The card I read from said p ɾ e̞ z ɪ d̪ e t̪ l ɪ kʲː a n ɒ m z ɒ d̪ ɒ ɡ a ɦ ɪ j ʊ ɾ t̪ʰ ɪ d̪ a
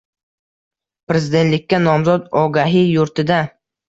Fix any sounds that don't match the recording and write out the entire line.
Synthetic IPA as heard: p ɾ e̞ z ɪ d̪ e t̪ l ɪ kʲː a n ɒ m z ɒ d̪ ɒ ɡ a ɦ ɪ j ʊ ɾ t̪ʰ ɪ d̪ a